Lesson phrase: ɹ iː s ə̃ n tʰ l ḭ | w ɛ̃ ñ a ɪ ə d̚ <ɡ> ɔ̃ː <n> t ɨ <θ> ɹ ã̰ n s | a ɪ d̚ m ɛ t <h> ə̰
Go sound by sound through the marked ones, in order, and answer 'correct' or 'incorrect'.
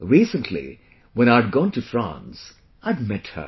correct, correct, incorrect, correct

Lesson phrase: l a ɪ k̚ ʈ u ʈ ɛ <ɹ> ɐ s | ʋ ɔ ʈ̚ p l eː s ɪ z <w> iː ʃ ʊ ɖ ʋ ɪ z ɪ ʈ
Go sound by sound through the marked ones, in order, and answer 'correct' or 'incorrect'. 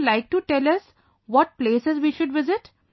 incorrect, incorrect

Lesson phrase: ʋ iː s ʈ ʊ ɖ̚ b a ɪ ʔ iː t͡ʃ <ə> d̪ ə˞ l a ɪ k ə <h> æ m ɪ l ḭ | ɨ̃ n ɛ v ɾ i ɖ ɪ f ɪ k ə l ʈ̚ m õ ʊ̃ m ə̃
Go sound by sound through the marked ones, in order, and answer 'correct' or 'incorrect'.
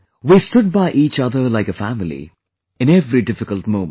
incorrect, incorrect

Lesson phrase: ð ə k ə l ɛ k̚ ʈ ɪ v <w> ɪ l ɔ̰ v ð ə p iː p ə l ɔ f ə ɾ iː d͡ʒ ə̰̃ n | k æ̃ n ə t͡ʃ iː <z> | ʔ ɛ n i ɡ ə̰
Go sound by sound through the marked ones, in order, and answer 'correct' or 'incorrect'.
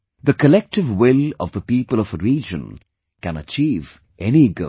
correct, incorrect

